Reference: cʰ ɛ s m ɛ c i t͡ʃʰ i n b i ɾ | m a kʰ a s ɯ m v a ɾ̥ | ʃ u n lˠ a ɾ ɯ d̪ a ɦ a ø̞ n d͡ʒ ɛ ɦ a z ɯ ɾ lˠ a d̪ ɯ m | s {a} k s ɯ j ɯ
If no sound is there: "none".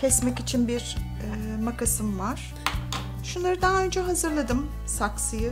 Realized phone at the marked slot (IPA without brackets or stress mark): a